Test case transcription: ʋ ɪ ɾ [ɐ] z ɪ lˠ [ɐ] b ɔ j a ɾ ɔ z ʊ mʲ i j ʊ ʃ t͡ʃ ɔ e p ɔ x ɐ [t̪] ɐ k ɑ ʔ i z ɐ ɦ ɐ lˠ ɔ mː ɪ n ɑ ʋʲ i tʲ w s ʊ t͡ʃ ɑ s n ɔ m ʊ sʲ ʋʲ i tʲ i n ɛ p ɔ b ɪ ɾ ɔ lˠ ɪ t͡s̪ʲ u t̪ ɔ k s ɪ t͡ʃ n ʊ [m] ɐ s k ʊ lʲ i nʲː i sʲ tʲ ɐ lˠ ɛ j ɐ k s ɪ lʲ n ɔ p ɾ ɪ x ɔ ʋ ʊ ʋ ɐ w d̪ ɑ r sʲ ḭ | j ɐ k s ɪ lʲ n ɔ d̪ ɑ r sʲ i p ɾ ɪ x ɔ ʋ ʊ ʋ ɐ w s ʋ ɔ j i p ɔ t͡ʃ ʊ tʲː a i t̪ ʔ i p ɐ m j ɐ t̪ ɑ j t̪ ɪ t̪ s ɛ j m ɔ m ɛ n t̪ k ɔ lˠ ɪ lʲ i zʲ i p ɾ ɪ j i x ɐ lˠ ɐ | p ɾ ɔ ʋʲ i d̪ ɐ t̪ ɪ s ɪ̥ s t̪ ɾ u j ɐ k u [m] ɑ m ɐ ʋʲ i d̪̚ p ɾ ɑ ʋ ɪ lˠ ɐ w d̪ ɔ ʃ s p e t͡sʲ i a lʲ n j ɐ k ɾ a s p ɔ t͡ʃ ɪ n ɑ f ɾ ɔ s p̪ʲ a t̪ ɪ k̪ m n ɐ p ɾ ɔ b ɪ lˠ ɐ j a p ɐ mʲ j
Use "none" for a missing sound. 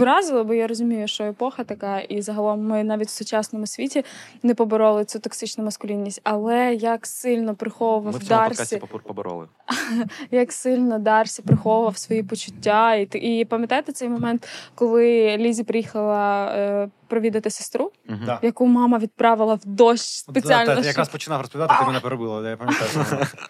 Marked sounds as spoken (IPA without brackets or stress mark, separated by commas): ɑ, ɐ, t̪, m, m